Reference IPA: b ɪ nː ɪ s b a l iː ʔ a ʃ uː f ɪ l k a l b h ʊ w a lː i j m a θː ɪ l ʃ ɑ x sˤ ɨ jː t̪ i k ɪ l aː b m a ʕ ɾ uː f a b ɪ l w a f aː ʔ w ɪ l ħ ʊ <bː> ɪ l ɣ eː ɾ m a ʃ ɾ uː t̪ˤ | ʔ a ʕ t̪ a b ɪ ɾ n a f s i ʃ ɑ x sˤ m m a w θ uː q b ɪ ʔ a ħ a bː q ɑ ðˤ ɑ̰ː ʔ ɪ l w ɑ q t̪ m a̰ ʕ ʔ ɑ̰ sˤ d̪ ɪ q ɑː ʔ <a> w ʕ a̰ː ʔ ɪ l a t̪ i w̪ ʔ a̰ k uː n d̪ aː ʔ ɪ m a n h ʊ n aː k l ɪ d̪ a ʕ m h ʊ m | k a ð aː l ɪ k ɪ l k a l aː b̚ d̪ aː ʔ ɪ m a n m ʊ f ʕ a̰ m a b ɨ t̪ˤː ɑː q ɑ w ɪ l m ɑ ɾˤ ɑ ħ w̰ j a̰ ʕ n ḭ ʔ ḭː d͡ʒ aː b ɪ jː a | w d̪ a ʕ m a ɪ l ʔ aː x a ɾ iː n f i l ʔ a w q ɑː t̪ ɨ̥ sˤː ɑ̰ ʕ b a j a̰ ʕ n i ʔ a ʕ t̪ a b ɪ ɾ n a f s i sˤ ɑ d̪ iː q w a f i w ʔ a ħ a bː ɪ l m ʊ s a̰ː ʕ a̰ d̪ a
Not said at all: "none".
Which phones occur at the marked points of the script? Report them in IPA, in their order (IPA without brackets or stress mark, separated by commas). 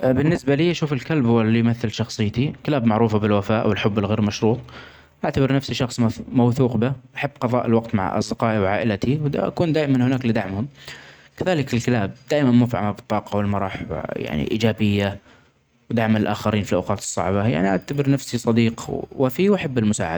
bː, i